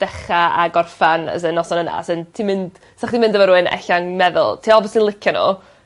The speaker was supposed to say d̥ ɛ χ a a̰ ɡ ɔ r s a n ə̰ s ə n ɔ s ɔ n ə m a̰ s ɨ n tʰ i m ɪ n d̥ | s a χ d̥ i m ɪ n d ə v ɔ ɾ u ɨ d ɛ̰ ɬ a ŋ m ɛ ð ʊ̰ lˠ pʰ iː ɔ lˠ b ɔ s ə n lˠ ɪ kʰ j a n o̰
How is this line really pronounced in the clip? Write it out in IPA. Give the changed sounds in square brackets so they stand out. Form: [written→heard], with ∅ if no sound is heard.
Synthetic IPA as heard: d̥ ɛ χ a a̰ ɡ ɔ r [s→f] a n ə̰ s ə n ɔ s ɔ n ə [m→n] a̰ s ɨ n tʰ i m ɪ n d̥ | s a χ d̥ i m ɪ n d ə v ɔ ɾ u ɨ [d→n] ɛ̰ ɬ a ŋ m ɛ ð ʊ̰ lˠ [pʰ→tʰ] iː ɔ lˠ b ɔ s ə n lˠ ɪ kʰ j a n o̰